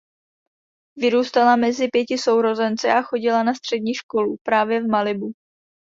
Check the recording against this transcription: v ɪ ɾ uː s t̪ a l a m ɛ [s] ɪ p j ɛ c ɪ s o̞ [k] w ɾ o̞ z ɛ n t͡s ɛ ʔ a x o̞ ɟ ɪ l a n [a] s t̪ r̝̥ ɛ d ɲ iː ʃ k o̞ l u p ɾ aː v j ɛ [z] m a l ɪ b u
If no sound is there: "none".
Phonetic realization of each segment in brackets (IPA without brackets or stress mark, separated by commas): z, none, a, v